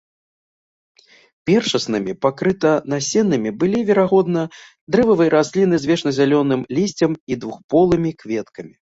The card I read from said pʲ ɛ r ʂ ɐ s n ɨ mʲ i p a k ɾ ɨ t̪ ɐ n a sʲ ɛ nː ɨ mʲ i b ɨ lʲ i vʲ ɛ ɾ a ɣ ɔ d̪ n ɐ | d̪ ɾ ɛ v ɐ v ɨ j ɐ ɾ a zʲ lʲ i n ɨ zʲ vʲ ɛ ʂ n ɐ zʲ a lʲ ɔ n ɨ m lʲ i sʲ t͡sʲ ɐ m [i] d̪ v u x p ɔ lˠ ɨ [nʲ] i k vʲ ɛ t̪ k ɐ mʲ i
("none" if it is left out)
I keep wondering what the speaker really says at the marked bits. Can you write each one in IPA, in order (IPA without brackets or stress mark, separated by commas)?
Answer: i, mʲ